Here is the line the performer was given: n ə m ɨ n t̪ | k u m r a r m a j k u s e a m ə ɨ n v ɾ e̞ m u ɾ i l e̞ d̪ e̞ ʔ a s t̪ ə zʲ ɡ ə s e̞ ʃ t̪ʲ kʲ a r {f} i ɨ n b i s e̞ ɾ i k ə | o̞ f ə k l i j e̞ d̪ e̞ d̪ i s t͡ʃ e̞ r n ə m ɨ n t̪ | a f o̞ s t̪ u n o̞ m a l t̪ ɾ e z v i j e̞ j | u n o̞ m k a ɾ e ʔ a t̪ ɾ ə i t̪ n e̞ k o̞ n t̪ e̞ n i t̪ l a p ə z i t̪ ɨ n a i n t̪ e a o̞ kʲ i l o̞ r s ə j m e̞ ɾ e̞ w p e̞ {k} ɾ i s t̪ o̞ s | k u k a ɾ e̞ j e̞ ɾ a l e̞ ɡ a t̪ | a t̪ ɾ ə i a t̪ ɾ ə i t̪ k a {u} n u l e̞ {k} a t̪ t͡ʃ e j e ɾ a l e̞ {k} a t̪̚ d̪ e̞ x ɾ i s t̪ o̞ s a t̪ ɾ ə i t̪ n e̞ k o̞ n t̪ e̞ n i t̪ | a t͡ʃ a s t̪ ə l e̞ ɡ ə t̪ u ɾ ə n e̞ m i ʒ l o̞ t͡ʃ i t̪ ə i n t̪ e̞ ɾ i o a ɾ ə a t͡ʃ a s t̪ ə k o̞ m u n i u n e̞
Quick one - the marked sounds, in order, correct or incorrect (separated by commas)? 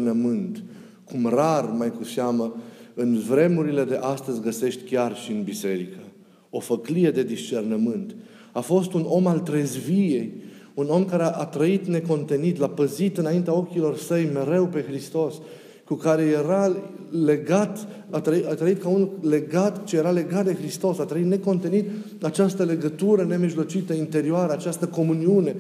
incorrect, incorrect, correct, incorrect, incorrect